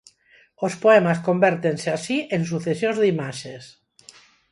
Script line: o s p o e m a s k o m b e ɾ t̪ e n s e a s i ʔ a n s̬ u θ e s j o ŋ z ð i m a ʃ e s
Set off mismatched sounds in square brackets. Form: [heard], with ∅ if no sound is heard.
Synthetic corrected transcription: o s p o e m a s k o m b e ɾ t̪ e n s e a s i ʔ [e] n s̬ u θ e s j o [n] z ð i m a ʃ e s